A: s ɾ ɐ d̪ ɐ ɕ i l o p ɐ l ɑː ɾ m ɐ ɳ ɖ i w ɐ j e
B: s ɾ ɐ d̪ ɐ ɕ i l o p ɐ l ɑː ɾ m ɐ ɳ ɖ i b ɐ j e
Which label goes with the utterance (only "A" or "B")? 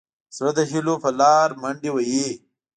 A